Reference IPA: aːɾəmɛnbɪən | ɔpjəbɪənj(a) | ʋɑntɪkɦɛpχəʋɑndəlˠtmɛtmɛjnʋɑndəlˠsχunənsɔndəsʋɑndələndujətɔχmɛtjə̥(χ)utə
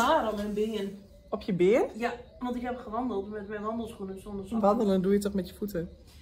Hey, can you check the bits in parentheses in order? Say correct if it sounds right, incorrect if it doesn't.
correct, incorrect: f

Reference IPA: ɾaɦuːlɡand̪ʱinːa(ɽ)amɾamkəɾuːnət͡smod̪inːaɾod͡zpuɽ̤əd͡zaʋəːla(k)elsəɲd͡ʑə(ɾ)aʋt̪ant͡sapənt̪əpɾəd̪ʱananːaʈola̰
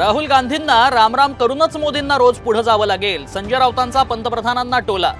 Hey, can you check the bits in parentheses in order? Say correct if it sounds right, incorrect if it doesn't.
incorrect: ɾ, incorrect: ɡ, correct

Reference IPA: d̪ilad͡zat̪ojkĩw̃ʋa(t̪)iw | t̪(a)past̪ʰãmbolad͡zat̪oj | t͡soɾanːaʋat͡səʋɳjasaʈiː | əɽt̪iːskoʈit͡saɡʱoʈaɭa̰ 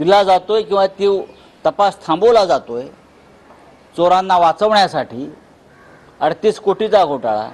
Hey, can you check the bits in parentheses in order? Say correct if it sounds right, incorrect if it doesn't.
correct, incorrect: ə

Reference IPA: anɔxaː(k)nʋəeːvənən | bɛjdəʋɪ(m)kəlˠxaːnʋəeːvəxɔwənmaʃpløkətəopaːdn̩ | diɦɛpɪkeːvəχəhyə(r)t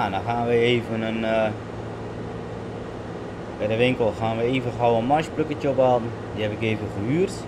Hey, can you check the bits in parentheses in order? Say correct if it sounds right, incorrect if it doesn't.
incorrect: none, incorrect: ŋ, correct

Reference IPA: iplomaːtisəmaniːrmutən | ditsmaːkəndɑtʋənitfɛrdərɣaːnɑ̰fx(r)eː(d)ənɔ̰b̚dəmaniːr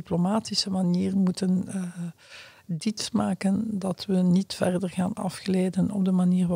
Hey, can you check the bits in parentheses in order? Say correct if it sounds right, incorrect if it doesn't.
incorrect: l, correct

